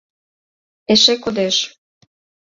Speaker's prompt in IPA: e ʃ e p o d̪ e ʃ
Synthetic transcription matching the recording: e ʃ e k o d̪ e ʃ